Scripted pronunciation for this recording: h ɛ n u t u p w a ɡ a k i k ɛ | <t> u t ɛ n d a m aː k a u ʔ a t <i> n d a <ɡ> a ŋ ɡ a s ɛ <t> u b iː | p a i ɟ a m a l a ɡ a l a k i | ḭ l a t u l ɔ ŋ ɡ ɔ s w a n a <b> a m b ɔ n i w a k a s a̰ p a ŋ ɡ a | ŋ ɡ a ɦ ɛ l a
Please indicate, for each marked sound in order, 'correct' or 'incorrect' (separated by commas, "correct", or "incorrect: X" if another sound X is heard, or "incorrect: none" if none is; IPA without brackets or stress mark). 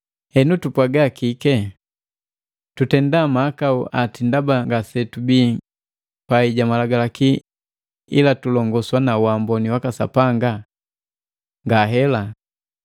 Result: correct, correct, incorrect: b, correct, incorrect: w